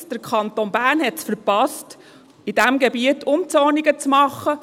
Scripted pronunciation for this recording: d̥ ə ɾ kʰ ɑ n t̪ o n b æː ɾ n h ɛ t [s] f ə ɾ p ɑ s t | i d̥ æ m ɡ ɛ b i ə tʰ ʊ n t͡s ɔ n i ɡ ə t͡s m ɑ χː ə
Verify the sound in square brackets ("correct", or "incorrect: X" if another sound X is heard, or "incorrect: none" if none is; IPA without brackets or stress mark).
correct